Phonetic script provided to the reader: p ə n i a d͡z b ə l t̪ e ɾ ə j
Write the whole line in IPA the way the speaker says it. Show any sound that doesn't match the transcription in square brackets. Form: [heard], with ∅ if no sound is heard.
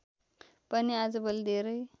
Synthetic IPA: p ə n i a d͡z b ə l [d̪] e ɾ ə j